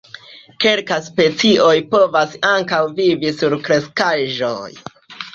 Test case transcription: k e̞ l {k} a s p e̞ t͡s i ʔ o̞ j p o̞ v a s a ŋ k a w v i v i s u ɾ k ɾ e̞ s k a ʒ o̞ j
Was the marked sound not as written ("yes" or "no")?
no